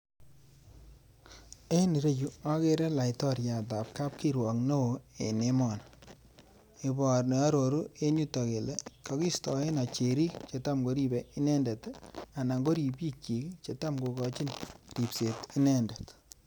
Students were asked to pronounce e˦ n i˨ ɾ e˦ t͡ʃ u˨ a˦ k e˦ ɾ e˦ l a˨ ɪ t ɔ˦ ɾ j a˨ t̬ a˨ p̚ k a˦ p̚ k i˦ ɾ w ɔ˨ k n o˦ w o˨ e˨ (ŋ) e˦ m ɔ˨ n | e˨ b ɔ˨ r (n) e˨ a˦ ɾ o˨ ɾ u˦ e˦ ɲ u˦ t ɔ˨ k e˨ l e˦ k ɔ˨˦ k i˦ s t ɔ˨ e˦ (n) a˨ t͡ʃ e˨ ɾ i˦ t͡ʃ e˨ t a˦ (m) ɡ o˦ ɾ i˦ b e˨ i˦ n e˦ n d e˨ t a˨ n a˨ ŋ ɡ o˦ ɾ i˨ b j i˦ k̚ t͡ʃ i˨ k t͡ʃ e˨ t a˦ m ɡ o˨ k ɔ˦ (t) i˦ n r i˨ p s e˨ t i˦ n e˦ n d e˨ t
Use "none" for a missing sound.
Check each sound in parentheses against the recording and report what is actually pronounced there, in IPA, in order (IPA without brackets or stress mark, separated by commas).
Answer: n, n, n, m, t͡ʃ